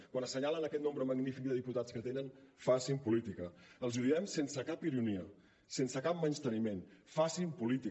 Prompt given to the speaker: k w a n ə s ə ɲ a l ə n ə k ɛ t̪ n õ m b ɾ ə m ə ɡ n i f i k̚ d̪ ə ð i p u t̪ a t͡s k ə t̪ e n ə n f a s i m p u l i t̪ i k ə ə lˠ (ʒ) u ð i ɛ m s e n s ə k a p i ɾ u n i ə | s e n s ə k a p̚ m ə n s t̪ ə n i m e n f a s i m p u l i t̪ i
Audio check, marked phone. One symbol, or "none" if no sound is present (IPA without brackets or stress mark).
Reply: z